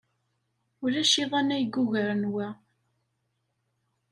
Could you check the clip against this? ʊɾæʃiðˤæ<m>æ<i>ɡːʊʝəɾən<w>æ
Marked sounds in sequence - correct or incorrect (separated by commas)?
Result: incorrect, incorrect, correct